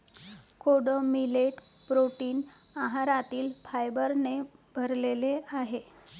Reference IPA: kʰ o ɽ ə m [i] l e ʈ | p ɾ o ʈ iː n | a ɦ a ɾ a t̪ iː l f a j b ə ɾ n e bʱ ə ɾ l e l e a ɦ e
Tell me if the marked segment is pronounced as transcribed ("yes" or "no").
yes